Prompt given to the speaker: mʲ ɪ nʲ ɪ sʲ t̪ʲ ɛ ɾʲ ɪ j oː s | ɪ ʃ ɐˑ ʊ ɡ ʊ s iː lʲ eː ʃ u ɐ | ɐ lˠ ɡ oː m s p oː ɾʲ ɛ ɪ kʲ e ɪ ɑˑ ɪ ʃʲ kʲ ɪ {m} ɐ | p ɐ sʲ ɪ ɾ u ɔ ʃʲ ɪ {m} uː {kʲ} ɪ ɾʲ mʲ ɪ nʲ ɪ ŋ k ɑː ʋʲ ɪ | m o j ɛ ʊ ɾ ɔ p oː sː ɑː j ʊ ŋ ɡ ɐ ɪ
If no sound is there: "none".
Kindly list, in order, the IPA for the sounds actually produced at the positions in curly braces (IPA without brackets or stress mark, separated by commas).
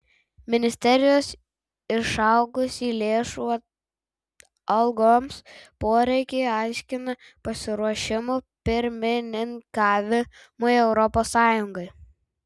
n, m, pʲ